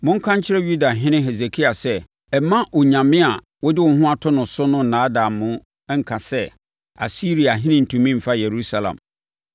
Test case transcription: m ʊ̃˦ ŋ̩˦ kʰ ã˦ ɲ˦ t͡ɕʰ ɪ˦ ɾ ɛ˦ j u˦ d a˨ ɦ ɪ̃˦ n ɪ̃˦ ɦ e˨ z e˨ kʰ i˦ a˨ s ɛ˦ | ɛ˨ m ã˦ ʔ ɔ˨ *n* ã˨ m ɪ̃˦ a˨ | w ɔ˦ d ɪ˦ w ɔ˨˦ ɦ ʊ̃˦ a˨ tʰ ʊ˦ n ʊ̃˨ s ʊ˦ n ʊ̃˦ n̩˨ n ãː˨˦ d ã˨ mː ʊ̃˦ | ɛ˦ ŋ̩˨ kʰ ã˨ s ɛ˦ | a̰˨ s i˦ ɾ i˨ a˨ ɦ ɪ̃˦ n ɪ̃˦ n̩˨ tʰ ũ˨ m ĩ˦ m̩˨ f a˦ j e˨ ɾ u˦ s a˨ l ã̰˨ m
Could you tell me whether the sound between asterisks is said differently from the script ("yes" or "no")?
yes